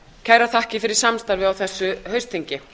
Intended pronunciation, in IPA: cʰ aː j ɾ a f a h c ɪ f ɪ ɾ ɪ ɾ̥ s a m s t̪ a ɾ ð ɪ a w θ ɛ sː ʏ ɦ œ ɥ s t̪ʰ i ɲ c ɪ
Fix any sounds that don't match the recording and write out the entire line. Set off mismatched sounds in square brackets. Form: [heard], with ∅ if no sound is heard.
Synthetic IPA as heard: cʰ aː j ɾ a [θ] a h c ɪ f ɪ ɾ ɪ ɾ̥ s a m s t̪ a ɾ [v] ɪ a w θ ɛ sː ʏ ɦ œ ɥ s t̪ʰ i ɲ c ɪ